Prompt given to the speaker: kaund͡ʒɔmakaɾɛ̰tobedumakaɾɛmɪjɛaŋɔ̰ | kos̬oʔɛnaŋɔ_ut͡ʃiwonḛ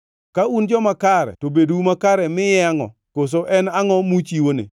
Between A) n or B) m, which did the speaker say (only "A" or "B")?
B